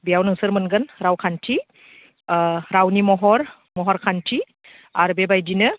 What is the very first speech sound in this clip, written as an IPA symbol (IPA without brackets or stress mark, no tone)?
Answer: b